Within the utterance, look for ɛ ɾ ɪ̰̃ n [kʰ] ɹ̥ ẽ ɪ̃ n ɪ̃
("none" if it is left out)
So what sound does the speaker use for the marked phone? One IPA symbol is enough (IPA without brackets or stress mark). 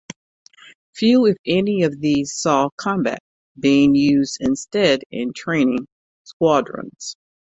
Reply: tʰ